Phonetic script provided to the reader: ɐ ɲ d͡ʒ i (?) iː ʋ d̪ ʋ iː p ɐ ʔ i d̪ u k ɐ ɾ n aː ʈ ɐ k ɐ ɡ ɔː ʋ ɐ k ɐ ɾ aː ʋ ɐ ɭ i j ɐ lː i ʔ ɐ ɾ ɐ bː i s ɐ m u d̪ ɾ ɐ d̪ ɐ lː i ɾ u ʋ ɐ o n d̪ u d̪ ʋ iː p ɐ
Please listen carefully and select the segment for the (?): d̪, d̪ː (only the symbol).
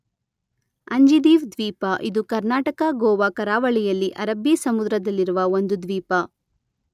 d̪